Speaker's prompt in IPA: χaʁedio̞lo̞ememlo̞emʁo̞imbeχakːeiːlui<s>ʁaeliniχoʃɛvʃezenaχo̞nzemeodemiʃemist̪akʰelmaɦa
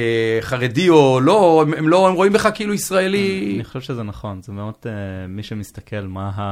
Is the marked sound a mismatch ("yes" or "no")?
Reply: no